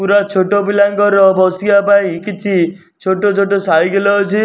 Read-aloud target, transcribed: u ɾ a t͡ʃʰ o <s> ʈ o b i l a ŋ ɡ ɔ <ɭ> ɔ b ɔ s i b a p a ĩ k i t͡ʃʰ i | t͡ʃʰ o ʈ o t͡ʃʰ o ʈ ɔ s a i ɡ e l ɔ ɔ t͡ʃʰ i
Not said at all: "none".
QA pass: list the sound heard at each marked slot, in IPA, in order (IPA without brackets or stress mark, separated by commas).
none, ɾ